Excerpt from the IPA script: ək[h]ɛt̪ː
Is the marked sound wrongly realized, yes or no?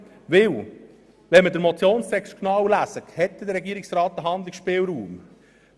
no